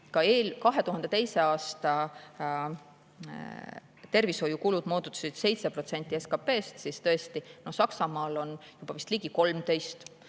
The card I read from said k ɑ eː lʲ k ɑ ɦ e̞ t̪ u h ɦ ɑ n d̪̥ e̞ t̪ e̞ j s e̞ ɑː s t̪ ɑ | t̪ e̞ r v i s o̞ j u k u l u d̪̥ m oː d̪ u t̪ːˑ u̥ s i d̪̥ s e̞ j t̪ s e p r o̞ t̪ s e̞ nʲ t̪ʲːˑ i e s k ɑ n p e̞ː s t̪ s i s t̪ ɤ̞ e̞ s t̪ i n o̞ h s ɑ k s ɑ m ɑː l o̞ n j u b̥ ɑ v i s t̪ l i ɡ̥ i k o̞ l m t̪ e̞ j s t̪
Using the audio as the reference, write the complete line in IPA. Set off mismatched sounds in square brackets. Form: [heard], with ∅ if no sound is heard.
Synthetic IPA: k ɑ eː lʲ k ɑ ɦ e̞ t̪ u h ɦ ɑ n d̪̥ e̞ t̪ e̞ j s e̞ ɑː s t̪ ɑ | t̪ e̞ r v i s o̞ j u k u l u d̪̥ m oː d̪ u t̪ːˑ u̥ s i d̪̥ s e̞ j t̪ s e p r o̞ t̪ s e̞ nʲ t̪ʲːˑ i e s k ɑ [∅] p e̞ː s t̪ s i s t̪ ɤ̞ e̞ s t̪ i n o̞ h s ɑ k s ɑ m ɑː l o̞ n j u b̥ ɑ v i s t̪ l i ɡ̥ i k o̞ l m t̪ e̞ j s t̪